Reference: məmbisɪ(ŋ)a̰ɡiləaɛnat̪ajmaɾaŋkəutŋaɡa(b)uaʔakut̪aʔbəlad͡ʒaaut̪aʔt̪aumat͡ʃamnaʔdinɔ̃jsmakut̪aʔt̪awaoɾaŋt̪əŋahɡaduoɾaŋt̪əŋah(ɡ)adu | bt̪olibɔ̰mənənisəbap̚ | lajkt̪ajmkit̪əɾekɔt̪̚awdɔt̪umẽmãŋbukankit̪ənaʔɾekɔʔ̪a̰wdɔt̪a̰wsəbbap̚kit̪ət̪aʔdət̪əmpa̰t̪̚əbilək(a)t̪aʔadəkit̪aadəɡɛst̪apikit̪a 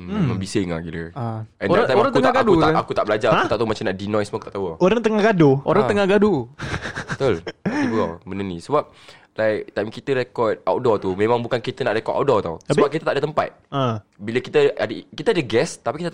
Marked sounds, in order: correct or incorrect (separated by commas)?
correct, incorrect, correct, incorrect